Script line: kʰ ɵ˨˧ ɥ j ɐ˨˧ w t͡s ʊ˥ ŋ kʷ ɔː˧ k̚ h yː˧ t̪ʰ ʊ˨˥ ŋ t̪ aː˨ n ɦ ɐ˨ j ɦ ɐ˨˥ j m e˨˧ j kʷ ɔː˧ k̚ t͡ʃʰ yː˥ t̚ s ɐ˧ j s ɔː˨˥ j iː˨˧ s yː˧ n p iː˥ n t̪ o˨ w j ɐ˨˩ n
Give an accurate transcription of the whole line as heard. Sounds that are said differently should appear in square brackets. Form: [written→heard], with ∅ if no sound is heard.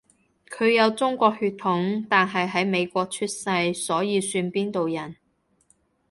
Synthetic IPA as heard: kʰ ɵ˨˧ ɥ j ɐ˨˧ w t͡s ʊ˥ ŋ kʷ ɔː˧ k̚ h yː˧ t̪ʰ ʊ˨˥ ŋ t̪ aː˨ n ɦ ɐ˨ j ɦ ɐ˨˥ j m e˨˧ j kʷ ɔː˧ k̚ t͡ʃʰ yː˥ t̚ s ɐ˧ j s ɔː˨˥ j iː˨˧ s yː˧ n p iː˥ n t̪ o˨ w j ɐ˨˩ n